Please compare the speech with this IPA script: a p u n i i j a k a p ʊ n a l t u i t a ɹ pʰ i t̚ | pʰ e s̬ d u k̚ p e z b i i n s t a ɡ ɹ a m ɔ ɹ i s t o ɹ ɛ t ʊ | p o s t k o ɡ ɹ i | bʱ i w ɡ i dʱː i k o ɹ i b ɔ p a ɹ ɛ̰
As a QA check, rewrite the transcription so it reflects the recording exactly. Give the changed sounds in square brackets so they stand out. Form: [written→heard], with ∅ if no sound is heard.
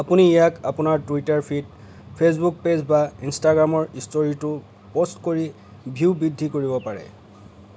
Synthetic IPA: a p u n i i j a k a p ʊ n a [l→ɹ] t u i t a ɹ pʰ i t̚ | pʰ e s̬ [d→b] u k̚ p e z b [i→a] i n s t a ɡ ɹ a m ɔ ɹ i s t o ɹ [ɛ→i] t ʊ | p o s t k o [ɡ→∅] ɹ i | bʱ i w [ɡ→b] i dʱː i k o ɹ i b ɔ p a ɹ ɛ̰